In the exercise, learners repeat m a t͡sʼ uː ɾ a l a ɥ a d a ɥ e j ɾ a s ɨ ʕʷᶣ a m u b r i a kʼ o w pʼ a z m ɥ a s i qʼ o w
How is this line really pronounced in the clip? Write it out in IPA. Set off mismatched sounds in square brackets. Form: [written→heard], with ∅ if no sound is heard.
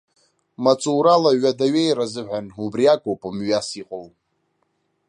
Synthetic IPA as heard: m a t͡sʼ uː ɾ a l a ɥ a d a ɥ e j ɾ a [s→z] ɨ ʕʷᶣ a [m→n] u b r i a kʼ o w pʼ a [z→∅] m ɥ a s i qʼ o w